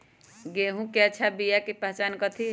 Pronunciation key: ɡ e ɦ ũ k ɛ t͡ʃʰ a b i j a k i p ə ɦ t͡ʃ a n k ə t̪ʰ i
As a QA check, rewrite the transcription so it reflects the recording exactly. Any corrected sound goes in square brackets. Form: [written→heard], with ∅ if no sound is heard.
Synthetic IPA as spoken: ɡ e ɦ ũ k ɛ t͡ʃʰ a b i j a k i p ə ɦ t͡ʃ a n k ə t̪ʰ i

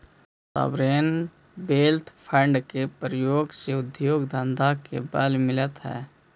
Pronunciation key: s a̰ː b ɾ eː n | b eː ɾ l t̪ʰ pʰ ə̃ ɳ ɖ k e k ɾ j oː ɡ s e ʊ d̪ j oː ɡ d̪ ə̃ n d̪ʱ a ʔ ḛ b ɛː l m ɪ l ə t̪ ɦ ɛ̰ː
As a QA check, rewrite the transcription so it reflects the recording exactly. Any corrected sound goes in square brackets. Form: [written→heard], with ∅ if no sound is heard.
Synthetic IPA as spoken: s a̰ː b ɾ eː n | b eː [ɾ→∅] l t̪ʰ pʰ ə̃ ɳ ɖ k e [k→p] ɾ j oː ɡ s e ʊ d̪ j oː ɡ d̪ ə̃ n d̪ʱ a [ʔ→k] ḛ b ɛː l m ɪ l ə t̪ ɦ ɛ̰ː

